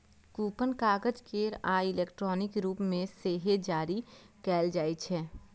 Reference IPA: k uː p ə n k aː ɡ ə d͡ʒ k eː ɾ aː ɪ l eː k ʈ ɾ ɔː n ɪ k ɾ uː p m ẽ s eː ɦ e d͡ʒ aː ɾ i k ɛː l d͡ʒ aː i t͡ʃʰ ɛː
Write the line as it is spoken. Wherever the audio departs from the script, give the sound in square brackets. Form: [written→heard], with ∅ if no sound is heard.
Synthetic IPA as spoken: k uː p ə n k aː ɡ ə d͡ʒ k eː ɾ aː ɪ l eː k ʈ ɾ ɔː n ɪ k ɾ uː p m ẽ s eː ɦ e d͡ʒ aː ɾ i k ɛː l d͡ʒ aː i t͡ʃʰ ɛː